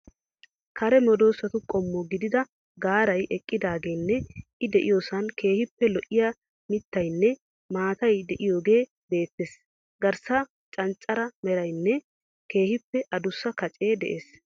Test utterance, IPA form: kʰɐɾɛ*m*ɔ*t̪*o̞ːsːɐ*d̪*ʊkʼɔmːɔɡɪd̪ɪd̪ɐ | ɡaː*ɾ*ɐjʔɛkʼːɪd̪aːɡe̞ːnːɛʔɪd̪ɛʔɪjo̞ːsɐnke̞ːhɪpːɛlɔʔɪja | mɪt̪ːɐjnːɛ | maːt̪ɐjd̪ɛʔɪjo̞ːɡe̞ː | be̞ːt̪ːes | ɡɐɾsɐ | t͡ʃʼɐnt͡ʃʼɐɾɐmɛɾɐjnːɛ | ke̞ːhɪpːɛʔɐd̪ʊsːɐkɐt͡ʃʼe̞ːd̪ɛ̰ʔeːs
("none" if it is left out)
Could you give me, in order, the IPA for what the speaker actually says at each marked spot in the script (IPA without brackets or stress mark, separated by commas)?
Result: m, d̪, t̪, ɾ